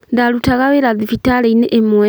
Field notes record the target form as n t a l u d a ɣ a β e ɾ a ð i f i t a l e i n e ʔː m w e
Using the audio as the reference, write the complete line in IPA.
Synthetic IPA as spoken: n d a l u t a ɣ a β e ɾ a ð i f i t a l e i n e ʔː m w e